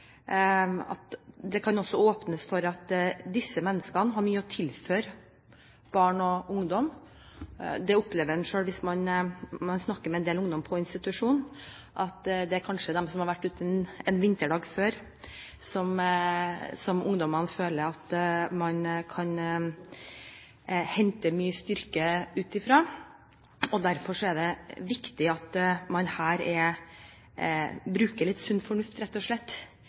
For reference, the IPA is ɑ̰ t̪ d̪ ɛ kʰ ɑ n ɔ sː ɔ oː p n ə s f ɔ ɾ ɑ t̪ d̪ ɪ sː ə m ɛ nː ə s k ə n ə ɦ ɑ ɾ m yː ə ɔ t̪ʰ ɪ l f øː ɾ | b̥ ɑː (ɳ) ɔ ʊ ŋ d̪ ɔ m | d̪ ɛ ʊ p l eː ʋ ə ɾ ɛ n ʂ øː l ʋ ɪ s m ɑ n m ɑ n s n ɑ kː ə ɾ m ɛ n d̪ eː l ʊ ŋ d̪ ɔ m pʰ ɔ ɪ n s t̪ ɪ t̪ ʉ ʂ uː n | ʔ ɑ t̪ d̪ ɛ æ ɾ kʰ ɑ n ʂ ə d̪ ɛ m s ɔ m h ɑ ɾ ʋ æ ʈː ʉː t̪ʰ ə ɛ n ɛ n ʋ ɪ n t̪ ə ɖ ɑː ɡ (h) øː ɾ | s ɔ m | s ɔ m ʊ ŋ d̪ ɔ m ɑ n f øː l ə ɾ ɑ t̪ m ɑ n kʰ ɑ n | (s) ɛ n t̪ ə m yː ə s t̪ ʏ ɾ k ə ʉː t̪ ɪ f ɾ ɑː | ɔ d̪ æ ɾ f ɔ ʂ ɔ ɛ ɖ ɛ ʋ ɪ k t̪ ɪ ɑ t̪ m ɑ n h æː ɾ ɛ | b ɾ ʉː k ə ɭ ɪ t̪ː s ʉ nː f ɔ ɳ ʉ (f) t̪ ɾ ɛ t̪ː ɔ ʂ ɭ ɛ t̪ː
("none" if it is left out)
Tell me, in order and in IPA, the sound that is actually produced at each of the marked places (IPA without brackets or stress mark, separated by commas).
ɳ, f, h, f